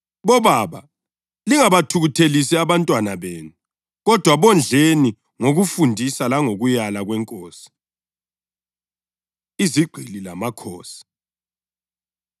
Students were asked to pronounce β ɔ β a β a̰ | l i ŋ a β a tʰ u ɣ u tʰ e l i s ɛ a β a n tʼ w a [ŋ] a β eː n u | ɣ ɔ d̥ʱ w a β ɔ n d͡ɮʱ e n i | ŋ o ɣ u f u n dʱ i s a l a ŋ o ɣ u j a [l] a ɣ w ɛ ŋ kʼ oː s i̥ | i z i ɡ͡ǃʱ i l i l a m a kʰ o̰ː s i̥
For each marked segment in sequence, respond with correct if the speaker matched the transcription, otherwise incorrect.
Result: incorrect, correct

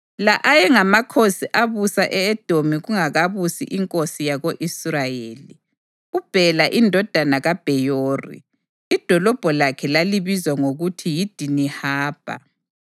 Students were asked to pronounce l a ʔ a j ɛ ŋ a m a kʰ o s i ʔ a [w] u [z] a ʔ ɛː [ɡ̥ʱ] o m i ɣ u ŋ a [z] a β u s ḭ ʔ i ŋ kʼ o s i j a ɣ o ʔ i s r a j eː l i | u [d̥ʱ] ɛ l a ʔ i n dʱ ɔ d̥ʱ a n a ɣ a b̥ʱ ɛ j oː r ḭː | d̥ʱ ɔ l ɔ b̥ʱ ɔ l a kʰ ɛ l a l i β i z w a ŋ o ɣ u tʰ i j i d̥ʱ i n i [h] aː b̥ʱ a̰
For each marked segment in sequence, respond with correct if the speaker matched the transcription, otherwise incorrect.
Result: incorrect, incorrect, incorrect, incorrect, incorrect, correct

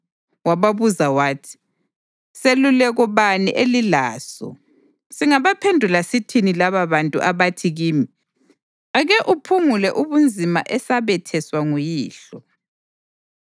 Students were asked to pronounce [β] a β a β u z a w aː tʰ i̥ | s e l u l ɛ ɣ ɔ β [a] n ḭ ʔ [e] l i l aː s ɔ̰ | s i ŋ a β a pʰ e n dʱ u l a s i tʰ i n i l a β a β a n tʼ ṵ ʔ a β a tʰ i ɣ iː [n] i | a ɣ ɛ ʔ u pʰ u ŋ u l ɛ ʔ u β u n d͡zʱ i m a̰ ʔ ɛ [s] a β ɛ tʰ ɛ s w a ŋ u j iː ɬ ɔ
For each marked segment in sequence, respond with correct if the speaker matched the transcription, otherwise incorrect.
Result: incorrect, correct, correct, incorrect, correct

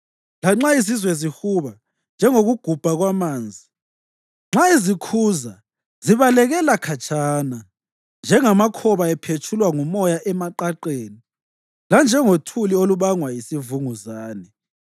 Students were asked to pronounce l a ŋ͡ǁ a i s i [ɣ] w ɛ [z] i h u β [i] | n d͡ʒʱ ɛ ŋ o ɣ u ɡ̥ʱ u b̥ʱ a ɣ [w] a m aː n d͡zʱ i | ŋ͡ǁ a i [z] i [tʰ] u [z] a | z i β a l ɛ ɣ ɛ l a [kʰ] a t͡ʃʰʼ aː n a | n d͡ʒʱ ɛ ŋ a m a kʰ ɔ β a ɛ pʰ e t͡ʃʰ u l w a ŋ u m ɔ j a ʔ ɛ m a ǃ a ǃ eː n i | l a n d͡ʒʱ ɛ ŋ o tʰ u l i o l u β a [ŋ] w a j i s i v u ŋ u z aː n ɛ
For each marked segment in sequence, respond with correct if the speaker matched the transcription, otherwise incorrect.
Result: incorrect, correct, incorrect, correct, correct, incorrect, correct, correct, correct

